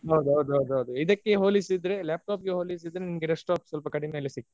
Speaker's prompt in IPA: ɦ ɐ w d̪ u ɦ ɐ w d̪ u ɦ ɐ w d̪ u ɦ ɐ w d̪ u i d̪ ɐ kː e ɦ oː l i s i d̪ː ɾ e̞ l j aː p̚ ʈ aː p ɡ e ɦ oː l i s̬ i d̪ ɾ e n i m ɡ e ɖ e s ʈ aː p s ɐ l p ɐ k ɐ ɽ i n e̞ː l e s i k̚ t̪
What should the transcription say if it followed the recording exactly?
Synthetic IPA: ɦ ɐ w d̪ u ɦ ɐ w d̪ u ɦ ɐ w d̪ u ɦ ɐ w d̪ u i d̪ ɐ kː e ɦ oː l i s i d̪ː ɾ e̞ l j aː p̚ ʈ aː p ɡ e ɦ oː l i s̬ i d̪ ɾ e n i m ɡ e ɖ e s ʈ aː p s ɐ l p ɐ k ɐ ɽ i m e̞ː l e s i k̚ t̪